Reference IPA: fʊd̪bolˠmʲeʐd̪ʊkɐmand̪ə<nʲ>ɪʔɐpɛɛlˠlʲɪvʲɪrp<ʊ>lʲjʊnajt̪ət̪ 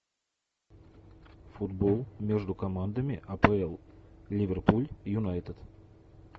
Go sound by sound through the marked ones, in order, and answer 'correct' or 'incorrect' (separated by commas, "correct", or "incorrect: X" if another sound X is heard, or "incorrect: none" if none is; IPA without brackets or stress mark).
incorrect: mʲ, incorrect: u